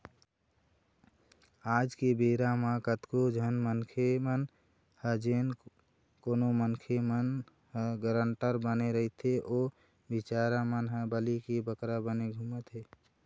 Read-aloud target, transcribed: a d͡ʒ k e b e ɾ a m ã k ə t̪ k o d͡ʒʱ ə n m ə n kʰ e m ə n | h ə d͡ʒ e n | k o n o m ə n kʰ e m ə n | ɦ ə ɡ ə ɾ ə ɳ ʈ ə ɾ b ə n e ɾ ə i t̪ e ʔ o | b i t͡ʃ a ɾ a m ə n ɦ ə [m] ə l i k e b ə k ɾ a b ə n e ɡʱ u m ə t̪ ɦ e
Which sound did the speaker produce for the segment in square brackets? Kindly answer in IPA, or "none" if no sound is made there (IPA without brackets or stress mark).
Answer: b